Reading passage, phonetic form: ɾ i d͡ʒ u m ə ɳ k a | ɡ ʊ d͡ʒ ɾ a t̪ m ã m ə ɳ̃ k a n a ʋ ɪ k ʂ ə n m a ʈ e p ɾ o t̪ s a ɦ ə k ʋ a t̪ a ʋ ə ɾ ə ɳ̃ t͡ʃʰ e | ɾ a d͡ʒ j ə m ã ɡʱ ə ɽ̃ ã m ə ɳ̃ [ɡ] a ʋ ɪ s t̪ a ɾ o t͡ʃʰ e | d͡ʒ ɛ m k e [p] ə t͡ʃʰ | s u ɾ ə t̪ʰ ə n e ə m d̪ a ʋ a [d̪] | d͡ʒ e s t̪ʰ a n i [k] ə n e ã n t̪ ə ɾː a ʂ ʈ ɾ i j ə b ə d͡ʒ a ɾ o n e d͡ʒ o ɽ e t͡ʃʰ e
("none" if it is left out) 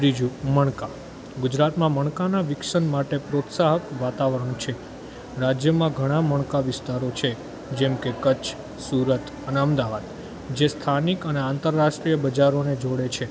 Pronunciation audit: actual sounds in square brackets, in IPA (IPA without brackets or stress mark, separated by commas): k, k, d̪, k